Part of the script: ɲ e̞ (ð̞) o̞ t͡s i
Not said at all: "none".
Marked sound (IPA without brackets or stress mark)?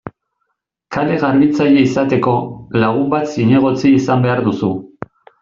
ɣ̞